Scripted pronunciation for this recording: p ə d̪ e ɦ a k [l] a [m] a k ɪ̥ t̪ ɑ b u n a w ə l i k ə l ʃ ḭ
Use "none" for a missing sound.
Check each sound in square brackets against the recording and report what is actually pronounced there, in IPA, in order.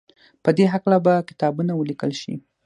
l, b

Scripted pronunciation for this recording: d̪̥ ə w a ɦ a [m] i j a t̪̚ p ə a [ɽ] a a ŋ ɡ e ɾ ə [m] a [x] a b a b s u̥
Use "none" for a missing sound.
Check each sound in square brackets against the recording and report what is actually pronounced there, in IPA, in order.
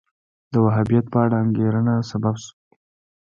b, ɽ, n, s

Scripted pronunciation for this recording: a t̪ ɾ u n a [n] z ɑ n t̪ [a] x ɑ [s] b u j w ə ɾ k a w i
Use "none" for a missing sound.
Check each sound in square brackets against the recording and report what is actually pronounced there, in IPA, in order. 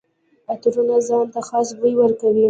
none, a, s

